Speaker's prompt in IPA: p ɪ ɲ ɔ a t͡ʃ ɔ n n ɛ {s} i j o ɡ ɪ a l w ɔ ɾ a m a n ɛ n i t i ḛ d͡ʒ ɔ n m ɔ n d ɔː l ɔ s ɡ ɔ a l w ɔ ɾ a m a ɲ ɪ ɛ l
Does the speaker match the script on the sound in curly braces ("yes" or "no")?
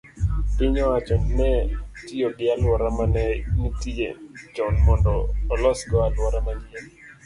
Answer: no